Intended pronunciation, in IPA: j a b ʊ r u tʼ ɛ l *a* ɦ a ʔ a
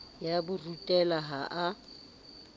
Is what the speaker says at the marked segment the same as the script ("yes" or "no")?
yes